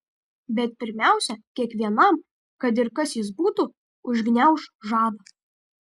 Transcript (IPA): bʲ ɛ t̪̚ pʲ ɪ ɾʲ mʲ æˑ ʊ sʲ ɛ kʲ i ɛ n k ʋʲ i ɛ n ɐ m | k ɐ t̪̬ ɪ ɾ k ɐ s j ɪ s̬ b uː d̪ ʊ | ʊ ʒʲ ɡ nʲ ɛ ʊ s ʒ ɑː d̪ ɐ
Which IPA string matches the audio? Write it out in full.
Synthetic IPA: bʲ ɛ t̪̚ pʲ ɪ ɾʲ mʲ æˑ ʊ sʲ ɛ kʲ i ɛ k ʋʲ i ɛ n ɐ m | k ɐ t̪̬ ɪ ɾ k ɐ s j ɪ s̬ b uː t̪ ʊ | ʊ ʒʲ ɡ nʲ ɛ ʊ ʃ ʒ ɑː d̪ ɐ